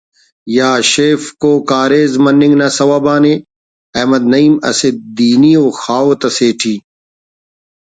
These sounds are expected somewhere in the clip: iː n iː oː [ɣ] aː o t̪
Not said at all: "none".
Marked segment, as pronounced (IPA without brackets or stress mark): x